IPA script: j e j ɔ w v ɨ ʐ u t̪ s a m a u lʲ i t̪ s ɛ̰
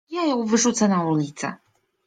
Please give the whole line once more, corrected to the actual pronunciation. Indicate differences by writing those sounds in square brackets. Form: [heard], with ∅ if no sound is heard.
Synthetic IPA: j [a] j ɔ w v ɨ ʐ u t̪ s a [n] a u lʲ i t̪ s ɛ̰